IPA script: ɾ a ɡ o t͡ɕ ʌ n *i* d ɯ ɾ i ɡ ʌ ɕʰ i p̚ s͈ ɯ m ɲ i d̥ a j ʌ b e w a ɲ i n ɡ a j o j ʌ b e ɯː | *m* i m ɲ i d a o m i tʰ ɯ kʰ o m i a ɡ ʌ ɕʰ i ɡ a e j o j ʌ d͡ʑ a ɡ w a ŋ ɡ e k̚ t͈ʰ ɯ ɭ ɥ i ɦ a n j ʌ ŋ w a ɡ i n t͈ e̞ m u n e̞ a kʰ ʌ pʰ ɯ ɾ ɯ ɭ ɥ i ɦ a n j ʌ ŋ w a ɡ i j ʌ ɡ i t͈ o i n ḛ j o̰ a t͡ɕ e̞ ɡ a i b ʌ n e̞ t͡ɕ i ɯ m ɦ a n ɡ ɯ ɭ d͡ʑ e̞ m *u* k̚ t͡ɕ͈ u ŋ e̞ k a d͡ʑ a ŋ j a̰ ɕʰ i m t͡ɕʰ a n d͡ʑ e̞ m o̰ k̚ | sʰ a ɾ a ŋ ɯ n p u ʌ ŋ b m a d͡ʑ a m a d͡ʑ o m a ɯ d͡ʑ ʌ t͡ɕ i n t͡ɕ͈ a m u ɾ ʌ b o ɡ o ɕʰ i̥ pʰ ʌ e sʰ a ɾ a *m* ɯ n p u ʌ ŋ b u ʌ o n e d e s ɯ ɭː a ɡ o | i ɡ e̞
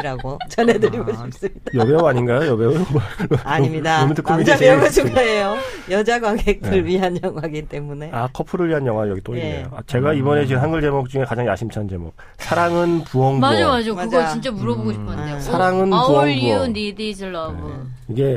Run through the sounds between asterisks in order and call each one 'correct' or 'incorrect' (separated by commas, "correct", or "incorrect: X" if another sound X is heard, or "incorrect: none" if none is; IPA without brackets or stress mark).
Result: incorrect: e, incorrect: ɲ, incorrect: o, incorrect: ŋ